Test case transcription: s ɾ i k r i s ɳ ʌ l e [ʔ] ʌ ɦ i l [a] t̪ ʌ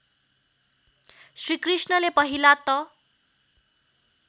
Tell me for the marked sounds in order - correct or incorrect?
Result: incorrect: p, correct

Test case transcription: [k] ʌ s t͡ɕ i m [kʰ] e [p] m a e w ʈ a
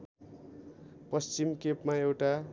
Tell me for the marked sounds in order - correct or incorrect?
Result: incorrect: p, incorrect: k, correct

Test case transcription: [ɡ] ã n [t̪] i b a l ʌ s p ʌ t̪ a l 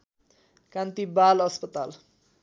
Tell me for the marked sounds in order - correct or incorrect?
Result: incorrect: k, correct

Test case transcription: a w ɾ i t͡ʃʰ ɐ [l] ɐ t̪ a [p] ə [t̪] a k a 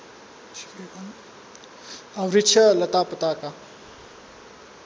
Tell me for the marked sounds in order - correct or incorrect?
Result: correct, correct, correct

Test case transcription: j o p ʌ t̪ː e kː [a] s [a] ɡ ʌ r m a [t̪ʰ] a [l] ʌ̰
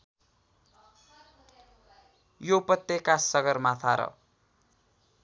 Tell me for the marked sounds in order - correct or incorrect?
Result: correct, incorrect: ʌ, correct, incorrect: ɾ

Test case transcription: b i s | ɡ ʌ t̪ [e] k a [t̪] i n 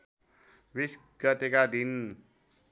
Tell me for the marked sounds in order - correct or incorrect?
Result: correct, incorrect: d̪

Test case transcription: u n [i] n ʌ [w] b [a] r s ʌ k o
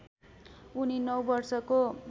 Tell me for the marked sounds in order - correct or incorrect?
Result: correct, correct, incorrect: ʌ

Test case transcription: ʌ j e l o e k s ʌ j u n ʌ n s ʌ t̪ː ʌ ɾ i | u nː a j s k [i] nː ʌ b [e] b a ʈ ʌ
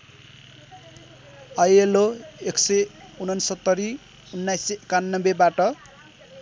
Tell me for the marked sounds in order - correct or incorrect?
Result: incorrect: a, correct

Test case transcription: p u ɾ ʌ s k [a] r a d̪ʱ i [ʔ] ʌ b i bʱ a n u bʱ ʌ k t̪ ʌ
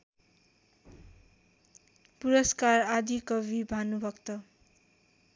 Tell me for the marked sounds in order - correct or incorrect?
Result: correct, incorrect: k

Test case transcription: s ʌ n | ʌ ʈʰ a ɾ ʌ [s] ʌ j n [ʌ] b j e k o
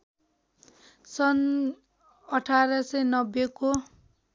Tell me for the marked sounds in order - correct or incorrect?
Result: correct, correct

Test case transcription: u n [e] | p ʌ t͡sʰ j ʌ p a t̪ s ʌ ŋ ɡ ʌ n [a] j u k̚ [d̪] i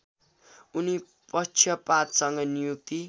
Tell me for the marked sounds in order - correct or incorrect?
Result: incorrect: i, incorrect: i, incorrect: t̪

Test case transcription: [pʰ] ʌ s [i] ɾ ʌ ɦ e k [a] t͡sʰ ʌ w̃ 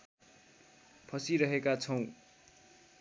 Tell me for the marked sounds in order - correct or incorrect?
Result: correct, correct, correct

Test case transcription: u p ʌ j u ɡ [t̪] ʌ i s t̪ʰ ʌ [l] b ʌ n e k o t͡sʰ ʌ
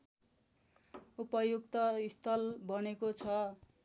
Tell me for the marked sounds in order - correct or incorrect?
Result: correct, correct

